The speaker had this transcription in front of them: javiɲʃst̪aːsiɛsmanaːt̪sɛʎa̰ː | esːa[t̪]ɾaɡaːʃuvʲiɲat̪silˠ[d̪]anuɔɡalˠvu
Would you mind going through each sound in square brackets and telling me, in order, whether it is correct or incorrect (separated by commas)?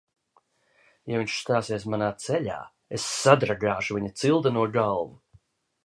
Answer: incorrect, correct